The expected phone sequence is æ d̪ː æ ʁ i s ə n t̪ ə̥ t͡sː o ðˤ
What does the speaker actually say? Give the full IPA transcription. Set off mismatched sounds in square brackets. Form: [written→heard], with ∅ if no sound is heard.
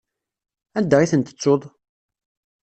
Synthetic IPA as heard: æ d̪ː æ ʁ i [s→θ] ə n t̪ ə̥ t͡sː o ðˤ

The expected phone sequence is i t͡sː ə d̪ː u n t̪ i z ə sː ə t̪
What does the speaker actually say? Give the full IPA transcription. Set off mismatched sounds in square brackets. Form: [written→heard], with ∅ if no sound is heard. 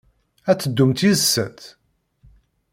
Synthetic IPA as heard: [i→æ] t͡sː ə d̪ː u [n→m] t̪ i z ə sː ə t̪

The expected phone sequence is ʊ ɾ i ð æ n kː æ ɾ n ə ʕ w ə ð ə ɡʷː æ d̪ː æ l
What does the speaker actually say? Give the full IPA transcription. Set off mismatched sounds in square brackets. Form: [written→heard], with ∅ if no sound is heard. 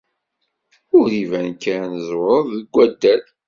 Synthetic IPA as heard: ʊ ɾ i [ð→v] æ n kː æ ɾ n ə [ʕ→z] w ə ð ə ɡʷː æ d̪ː æ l

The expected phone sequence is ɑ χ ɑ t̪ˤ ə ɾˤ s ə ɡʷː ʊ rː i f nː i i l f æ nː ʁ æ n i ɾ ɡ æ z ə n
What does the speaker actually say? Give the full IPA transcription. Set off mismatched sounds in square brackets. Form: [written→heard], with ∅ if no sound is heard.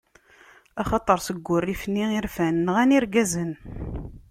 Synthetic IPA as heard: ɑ χ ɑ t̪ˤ ə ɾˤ s ə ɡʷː ʊ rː i f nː i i [l→ɾ] f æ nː ʁ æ n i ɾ ɡ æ z ə n

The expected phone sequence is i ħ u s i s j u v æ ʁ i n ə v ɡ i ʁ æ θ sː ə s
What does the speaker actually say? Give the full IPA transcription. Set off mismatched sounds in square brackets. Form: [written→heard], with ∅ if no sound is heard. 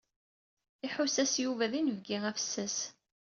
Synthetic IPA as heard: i ħ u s [i→æ] s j u v æ [ʁ→ð] i n ə v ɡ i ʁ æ [θ→f] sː ə s

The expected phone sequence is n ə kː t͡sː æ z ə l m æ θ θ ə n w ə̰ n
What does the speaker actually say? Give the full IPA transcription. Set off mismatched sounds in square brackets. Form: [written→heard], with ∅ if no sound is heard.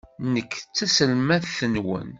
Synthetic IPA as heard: n ə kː t͡sː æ [z→s] ə l m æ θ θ ə n w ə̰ n

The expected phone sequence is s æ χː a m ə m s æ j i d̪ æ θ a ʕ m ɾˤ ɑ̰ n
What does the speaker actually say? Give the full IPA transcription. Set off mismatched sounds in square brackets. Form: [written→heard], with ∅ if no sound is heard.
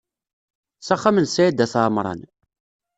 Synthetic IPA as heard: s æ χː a m ə [m→n] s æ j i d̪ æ θ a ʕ m ɾˤ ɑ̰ n

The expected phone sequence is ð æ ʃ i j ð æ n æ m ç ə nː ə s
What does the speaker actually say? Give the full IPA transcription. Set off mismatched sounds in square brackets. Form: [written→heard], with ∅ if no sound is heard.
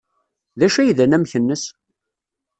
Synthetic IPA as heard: ð æ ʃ [i→æ] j ð æ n æ m ç ə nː ə s

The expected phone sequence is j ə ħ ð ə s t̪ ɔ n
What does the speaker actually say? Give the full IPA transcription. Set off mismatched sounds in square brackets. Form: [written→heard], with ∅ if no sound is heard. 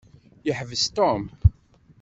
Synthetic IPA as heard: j ə ħ [ð→v] ə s t̪ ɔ [n→m]

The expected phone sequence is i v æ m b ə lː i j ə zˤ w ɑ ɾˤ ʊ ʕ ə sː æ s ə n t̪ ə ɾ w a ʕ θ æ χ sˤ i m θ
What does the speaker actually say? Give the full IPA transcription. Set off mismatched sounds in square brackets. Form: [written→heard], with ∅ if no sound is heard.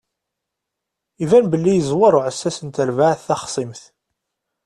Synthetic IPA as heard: i v æ [m→n] b ə lː i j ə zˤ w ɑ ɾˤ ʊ ʕ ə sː æ s ə n t̪ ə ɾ [w→v] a ʕ θ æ χ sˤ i m θ

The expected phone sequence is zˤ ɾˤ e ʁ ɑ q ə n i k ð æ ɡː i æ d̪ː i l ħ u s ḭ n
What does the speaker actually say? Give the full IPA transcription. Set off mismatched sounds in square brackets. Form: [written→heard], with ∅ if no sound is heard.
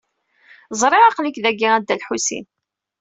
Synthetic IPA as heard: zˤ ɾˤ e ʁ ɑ q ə n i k ð æ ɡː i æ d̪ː [i→æ] l ħ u s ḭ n

